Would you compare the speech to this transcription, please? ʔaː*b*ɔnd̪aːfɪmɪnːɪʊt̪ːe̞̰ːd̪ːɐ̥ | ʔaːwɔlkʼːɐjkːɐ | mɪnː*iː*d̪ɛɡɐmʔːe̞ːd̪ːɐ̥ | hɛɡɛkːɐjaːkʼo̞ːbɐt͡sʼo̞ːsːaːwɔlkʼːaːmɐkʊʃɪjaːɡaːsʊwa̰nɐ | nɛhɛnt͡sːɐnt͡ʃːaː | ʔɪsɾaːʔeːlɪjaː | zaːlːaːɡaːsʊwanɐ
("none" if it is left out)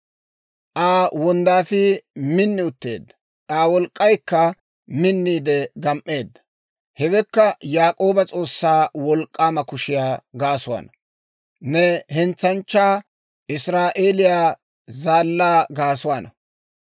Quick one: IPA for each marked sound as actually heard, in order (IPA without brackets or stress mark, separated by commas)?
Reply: w, iː